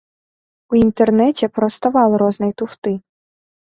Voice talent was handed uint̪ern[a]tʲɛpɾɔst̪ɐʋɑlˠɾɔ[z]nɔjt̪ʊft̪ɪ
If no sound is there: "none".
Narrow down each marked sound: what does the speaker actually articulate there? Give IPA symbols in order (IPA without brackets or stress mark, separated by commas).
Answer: ɛ, z